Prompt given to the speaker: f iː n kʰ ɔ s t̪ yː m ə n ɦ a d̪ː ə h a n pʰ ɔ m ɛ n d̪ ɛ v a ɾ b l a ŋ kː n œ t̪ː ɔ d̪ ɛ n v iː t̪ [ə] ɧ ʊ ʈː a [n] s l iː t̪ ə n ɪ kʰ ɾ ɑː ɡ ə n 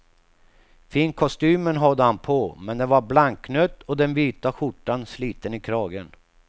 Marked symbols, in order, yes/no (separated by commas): no, yes